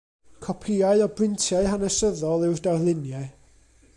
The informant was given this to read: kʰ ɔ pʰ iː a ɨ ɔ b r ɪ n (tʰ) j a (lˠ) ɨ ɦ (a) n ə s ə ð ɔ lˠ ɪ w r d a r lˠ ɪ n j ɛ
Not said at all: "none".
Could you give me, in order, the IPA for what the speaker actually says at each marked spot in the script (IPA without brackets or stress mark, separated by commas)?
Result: tʰ, none, a